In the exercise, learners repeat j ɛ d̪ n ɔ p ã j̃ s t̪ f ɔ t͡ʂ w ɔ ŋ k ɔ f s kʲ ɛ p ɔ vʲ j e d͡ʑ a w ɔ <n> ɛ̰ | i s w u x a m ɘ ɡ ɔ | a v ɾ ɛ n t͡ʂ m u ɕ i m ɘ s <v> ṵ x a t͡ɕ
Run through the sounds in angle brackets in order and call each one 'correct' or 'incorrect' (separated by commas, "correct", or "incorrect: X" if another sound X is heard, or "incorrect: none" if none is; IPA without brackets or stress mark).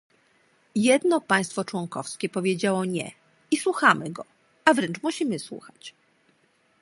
incorrect: ɲ, incorrect: w